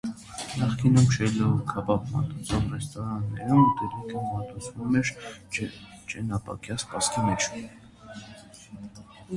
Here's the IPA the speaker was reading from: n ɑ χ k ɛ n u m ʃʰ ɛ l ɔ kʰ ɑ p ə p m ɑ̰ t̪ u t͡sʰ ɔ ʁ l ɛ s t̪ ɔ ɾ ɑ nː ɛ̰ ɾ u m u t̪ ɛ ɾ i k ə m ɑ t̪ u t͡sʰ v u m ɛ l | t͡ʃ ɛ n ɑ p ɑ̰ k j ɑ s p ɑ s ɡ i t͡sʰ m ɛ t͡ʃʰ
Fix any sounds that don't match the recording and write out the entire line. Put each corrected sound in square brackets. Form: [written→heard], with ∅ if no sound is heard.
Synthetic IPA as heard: n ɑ χ k [ɛ→i] n u m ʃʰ ɛ l ɔ kʰ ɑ p [ə→ɑ] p m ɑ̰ t̪ u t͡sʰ ɔ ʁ [l→r] ɛ s t̪ ɔ ɾ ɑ nː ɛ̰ ɾ u m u t̪ ɛ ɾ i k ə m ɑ t̪ u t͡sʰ v u m ɛ [l→ɾ] | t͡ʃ ɛ n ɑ p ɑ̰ k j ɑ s p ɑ s [ɡ→k] i [t͡sʰ→∅] m ɛ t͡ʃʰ